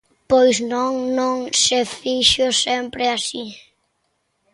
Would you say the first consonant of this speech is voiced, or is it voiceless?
voiceless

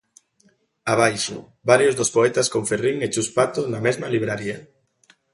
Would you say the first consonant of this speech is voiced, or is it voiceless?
voiced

